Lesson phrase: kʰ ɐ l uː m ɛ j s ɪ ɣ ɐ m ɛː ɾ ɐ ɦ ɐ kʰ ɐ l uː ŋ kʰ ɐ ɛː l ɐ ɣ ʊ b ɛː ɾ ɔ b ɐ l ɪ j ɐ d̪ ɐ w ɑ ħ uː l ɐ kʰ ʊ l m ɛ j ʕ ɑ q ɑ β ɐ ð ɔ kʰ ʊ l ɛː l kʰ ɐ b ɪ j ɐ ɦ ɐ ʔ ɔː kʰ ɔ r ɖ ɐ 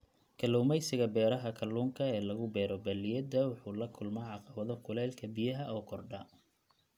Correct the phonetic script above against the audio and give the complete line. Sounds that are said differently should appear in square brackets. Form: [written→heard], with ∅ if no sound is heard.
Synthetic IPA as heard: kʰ ɐ l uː m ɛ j s ɪ ɣ ɐ [m→b] ɛː ɾ ɐ ɦ ɐ kʰ ɐ l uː ŋ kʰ ɐ ɛː l ɐ ɣ ʊ b ɛː ɾ ɔ b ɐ l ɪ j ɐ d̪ ɐ w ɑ ħ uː l ɐ kʰ ʊ l m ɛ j ʕ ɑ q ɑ β ɐ ð ɔ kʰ ʊ l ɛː l kʰ ɐ b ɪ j ɐ ɦ ɐ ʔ ɔː kʰ ɔ r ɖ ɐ